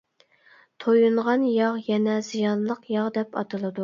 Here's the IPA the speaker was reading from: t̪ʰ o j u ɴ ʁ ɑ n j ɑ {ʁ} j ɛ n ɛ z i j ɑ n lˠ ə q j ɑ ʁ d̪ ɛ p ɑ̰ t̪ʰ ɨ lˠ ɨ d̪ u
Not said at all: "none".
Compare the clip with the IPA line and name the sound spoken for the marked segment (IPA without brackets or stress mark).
ʁ